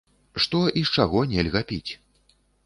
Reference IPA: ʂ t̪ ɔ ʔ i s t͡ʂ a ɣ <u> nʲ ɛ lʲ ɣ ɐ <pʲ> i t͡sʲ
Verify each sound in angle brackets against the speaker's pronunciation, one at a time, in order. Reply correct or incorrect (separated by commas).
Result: incorrect, correct